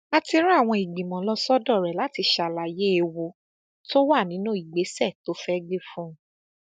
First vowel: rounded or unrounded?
unrounded